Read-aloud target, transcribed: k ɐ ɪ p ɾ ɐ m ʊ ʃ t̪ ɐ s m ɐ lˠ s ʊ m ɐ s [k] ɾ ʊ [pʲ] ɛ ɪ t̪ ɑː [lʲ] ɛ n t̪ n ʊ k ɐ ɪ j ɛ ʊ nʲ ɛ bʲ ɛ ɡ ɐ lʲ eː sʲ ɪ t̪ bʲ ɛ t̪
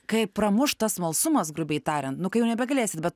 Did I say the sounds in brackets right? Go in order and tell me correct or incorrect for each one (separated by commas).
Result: incorrect, incorrect, incorrect